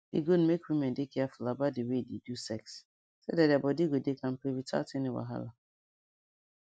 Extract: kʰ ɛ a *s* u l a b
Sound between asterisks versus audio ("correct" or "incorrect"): incorrect